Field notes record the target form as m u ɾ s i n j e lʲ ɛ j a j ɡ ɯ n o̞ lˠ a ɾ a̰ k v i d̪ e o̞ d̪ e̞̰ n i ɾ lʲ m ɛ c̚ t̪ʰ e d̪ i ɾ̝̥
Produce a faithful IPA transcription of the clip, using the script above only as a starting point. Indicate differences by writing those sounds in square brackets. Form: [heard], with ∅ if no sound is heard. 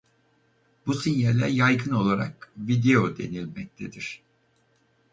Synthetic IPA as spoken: [b] u [∅] s i n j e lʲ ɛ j a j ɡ ɯ n o̞ lˠ a ɾ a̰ k v i d̪ e o̞ d̪ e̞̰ n i [∅] lʲ m ɛ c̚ t̪ʰ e d̪ i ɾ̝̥